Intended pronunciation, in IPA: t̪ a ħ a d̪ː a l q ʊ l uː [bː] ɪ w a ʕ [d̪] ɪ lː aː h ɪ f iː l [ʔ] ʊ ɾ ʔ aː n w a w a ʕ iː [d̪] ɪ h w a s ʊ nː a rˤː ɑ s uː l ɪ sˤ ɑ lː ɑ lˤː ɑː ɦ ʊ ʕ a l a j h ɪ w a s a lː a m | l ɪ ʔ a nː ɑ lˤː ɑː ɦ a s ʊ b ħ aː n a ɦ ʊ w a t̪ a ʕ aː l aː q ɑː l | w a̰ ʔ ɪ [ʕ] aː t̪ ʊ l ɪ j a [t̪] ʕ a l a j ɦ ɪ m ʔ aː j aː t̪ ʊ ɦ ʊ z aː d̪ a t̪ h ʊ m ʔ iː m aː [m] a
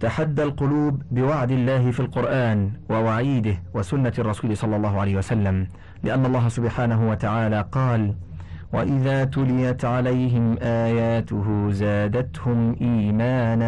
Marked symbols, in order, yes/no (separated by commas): yes, yes, no, yes, no, yes, no